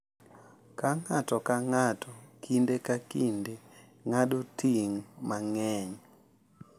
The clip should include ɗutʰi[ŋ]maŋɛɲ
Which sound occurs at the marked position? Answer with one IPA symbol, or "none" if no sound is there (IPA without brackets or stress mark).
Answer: ŋ